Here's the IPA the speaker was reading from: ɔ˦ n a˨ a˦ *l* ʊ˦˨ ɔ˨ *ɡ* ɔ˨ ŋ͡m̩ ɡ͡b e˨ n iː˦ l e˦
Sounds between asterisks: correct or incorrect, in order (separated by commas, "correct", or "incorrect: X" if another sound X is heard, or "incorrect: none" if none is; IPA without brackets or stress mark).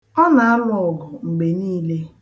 correct, correct